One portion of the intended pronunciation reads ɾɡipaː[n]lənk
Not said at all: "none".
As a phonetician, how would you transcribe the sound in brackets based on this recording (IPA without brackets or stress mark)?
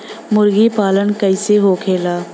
none